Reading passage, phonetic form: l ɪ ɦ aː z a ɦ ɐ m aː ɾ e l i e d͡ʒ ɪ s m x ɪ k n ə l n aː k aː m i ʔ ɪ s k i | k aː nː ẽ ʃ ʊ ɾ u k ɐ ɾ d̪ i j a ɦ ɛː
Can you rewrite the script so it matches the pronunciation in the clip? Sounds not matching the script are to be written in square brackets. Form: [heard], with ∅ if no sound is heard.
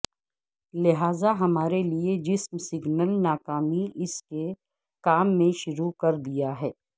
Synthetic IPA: l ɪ ɦ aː z a ɦ ɐ m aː ɾ e l i e d͡ʒ ɪ s m [s] ɪ [ɡ] n ə l n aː k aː m i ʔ ɪ s k [e] | k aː [mː] ẽ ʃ ʊ ɾ u k ɐ ɾ d̪ i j a ɦ ɛː